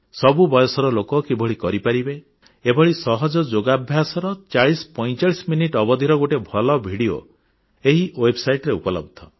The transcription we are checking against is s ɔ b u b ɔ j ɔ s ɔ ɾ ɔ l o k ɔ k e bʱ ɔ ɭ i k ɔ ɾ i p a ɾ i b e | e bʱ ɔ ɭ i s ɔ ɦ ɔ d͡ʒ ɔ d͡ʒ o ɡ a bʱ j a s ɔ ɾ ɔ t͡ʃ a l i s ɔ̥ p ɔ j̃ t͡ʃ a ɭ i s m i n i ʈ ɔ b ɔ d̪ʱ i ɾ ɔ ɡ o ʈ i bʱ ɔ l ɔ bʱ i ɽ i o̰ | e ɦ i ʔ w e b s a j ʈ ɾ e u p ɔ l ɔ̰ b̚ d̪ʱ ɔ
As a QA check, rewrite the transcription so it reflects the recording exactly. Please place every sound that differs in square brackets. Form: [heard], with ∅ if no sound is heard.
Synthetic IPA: s ɔ b u b ɔ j ɔ s ɔ ɾ ɔ l o k ɔ k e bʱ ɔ ɭ i k ɔ ɾ i p a ɾ i b e | e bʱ ɔ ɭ i s ɔ ɦ ɔ d͡ʒ ɔ d͡ʒ o ɡ a bʱ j a s ɔ ɾ ɔ t͡ʃ a [ɭ] i s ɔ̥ p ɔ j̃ t͡ʃ a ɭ i s m i n i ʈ ɔ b ɔ d̪ʱ i ɾ ɔ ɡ o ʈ [e] bʱ ɔ l ɔ bʱ i ɽ i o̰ | e ɦ i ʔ w e b s a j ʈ ɾ e u p ɔ l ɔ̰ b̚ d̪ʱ ɔ